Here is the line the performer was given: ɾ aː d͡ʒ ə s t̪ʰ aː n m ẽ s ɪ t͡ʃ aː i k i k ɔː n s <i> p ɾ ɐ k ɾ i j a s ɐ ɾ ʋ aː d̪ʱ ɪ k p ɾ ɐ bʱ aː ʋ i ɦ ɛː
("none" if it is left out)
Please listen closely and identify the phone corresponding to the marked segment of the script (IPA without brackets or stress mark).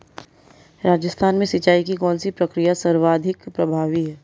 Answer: i